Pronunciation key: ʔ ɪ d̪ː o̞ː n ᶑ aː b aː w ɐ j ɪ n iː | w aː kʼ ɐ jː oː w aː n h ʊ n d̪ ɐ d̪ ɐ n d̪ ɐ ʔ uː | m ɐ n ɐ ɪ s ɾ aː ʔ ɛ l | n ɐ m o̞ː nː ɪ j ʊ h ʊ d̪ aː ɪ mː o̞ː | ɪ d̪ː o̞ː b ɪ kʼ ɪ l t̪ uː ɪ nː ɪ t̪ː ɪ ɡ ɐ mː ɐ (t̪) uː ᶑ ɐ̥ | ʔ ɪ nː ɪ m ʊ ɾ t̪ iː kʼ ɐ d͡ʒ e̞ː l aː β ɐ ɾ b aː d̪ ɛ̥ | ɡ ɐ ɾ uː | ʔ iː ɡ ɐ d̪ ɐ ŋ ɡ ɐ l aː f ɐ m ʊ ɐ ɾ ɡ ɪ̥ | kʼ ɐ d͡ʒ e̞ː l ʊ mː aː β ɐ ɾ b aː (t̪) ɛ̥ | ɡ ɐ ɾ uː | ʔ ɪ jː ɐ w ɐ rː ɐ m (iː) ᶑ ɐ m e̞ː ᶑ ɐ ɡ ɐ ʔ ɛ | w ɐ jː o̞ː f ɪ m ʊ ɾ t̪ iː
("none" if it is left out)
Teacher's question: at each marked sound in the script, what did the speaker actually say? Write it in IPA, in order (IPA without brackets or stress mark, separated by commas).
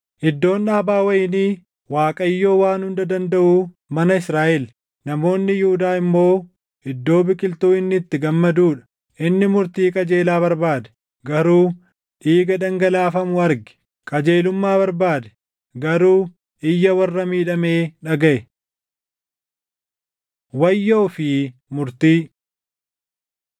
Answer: d̪, d̪, iː